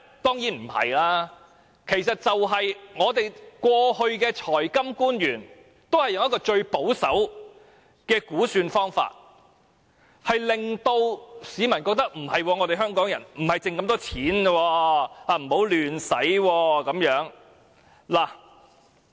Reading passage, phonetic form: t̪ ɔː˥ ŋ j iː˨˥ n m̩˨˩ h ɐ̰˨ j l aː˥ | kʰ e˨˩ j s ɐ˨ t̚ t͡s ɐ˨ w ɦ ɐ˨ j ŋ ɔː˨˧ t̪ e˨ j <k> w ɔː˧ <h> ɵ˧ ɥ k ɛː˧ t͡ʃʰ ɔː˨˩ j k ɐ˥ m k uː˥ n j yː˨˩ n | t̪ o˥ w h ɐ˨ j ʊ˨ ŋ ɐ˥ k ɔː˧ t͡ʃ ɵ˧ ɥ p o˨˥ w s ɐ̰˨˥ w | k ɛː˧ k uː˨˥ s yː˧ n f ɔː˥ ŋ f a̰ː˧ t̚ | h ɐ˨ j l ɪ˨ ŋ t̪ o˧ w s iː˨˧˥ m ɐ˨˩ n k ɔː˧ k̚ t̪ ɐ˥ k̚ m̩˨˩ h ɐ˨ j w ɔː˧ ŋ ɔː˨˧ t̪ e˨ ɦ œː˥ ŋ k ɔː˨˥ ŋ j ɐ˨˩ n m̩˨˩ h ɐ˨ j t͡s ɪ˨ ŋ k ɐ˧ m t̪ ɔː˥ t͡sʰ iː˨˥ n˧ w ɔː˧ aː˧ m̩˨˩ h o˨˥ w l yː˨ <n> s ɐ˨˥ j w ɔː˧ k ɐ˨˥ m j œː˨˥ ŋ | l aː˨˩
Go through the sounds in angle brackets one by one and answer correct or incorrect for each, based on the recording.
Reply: correct, correct, correct

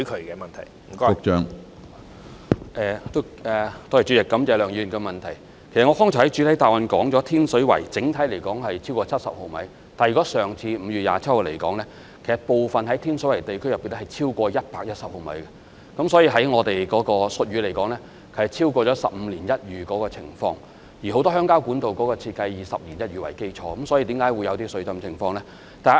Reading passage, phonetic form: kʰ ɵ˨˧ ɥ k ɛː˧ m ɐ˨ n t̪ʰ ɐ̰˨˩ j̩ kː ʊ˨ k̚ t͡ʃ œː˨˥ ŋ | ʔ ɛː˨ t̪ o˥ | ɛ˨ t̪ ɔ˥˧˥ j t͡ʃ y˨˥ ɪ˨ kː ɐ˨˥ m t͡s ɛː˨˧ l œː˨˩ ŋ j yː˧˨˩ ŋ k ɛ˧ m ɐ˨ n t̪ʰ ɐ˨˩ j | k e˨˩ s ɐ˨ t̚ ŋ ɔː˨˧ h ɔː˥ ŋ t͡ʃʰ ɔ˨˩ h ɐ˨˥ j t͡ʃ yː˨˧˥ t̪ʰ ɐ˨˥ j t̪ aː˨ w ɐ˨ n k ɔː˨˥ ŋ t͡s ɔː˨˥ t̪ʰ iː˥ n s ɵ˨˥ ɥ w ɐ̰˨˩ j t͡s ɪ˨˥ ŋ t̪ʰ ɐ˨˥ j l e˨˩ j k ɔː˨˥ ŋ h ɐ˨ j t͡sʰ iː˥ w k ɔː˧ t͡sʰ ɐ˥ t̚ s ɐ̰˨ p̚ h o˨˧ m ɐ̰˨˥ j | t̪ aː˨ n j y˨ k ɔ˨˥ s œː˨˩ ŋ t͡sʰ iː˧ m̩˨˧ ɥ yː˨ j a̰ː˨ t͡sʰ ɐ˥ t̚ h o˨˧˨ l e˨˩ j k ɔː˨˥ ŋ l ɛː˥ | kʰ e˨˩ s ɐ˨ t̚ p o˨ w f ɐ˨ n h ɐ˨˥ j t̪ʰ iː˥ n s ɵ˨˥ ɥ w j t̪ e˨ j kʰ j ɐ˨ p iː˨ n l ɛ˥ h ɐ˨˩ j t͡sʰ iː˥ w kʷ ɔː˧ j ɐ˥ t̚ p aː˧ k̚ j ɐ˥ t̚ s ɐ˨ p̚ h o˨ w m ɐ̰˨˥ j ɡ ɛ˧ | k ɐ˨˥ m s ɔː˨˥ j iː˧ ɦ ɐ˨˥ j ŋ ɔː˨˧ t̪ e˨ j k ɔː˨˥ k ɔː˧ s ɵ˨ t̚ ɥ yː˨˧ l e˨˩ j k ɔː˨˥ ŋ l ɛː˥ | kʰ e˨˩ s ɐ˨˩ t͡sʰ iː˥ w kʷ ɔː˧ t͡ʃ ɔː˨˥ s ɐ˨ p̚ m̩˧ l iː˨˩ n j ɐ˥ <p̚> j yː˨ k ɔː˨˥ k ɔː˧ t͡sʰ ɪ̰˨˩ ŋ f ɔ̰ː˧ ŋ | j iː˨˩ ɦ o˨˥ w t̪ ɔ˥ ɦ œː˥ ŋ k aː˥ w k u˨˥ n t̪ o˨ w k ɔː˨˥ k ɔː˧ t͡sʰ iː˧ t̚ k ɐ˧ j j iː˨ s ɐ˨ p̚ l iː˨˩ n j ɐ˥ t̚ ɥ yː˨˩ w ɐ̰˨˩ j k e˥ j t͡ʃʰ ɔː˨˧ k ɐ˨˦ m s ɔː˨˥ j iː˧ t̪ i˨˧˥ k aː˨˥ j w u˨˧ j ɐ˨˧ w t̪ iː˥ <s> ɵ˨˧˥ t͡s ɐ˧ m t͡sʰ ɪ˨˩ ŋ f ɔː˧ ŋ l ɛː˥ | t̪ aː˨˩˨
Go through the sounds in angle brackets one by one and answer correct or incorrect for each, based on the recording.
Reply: incorrect, correct

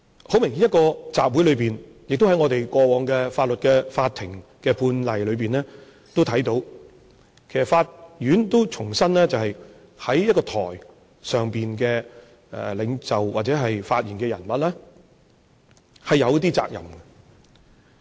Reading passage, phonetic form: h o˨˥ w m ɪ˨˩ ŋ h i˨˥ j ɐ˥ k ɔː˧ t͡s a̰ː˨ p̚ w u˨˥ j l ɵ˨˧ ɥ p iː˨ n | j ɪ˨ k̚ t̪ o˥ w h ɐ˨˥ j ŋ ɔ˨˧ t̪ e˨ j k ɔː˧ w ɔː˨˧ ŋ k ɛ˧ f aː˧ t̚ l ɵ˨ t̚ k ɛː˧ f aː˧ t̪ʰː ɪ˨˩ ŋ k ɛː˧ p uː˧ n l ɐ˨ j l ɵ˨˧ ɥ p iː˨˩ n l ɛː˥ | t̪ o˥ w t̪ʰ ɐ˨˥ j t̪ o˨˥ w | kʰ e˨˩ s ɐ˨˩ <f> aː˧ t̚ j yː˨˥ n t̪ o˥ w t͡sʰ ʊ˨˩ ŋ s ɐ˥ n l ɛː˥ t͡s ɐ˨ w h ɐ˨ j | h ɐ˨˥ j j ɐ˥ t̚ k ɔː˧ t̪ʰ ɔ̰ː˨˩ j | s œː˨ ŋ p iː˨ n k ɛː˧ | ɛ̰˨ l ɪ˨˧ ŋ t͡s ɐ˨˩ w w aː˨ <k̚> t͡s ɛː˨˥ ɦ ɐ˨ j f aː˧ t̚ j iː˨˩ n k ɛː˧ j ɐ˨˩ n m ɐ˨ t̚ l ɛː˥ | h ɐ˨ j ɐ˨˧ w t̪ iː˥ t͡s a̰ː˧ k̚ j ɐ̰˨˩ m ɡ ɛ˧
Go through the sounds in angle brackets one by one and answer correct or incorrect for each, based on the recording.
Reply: correct, incorrect

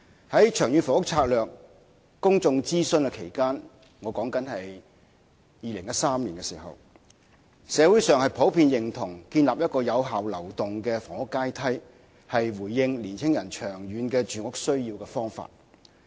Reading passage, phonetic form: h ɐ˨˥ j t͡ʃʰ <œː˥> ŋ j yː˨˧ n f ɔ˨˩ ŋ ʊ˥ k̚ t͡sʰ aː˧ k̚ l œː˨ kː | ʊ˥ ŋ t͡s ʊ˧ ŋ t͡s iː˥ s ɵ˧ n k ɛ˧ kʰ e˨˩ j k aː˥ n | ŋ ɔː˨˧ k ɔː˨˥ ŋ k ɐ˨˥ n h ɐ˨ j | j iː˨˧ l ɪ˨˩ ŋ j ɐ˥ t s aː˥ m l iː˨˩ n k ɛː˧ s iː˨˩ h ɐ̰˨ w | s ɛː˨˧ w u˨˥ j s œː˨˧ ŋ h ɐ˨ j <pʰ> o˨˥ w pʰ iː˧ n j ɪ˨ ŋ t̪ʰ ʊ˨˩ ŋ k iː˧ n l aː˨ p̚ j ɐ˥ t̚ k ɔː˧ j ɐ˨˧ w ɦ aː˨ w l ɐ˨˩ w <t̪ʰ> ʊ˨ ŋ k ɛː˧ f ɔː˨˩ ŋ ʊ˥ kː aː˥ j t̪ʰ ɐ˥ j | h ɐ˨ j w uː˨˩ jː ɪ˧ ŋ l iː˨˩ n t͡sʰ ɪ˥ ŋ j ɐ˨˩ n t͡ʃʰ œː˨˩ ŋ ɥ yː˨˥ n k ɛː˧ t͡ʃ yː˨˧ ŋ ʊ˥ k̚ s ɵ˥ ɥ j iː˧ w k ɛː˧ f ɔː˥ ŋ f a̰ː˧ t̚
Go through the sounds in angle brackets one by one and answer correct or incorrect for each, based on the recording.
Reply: incorrect, correct, incorrect

